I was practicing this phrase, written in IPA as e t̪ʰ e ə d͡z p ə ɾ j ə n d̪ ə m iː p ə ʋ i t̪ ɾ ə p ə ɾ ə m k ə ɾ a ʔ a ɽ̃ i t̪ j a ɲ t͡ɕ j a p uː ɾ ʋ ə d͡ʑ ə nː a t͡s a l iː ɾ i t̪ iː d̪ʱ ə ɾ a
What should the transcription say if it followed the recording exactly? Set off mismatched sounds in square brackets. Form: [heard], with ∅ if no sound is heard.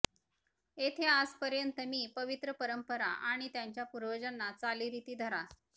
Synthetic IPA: e t̪ʰ e [a] d͡z p ə ɾ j ə n [t̪] ə m iː p ə ʋ i t̪ ɾ ə p ə ɾ ə m [p] ə ɾ a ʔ a ɽ̃ i t̪ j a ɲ t͡ɕ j a p [u] ɾ ʋ ə d͡ʑ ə nː a t͡s a l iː ɾ i t̪ iː d̪ʱ ə ɾ a